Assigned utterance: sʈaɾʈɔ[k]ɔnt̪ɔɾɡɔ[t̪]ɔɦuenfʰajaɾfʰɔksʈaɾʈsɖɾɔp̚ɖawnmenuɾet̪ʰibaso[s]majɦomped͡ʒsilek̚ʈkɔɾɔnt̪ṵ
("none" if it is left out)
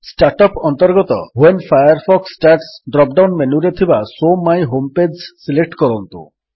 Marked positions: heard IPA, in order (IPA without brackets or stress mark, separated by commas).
p, t̪, none